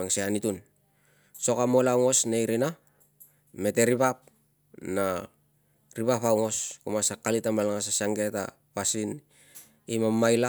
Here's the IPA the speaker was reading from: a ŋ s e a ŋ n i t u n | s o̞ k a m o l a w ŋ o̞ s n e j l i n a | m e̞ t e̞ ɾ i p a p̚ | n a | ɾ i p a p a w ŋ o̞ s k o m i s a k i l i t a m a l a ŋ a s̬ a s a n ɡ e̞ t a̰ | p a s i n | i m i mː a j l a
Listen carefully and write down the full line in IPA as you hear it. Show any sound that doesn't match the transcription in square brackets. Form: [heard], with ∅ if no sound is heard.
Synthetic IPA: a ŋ s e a [∅] n i t u n | s o̞ k a m o l a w ŋ o̞ s n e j [ɾ] i n a | m e̞ t e̞ ɾ i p a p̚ | n a | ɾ i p a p a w ŋ o̞ s k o m [a] s a k [a] l i t a m a l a ŋ a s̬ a s a [ŋ] ɡ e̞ t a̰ | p a s i n | i m [a] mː a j l a